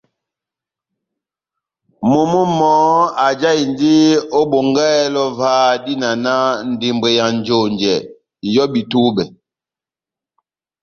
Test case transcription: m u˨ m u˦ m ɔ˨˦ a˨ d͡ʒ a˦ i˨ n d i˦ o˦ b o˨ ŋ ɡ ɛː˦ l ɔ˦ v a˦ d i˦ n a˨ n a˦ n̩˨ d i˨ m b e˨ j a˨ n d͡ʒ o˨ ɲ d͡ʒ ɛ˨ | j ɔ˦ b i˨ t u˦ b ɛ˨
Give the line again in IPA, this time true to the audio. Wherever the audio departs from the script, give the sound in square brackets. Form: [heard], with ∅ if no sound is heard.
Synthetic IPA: m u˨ m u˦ m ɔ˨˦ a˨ d͡ʒ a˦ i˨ n d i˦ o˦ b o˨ ŋ ɡ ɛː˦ l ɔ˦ v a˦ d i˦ n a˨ n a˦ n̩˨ d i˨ m b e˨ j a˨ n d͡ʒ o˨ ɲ d͡ʒ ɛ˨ | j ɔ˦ b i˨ t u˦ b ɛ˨